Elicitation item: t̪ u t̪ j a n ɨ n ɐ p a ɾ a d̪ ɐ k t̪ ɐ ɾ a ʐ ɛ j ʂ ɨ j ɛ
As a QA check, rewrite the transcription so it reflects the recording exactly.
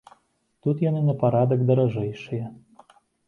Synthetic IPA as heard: t̪ u t̪ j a n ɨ n ɐ p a ɾ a d̪ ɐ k d̪ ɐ ɾ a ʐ ɛ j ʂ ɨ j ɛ